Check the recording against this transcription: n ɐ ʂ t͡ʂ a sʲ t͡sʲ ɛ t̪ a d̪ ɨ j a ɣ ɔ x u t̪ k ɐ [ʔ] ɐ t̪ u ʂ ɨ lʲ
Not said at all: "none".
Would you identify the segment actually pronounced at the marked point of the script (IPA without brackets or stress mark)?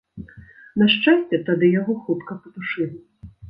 p